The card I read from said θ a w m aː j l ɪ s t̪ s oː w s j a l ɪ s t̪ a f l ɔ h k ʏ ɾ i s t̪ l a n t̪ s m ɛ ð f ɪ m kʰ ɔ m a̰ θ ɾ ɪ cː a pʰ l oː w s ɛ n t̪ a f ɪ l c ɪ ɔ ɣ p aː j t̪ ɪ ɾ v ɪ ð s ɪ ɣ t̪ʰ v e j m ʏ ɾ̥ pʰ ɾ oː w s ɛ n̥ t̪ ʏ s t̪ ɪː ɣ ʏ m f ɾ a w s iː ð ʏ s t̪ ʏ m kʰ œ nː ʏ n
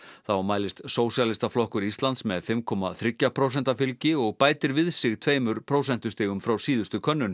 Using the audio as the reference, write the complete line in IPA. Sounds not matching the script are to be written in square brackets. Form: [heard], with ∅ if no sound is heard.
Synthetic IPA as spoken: θ a w m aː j l ɪ s t̪ s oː w s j a l ɪ s t̪ a f l ɔ h k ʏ ɾ i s t̪ l a n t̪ s m ɛ ð f ɪ m kʰ ɔ m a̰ θ ɾ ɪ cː a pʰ [ɾ] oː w s ɛ n t̪ a f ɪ l c ɪ ɔ ɣ p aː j t̪ ɪ ɾ v ɪ ð s ɪ ɣ t̪ʰ v e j m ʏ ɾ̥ pʰ ɾ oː w s ɛ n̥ t̪ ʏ s t̪ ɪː ɣ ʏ m f ɾ a w s iː ð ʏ s t̪ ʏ [∅] kʰ œ nː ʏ n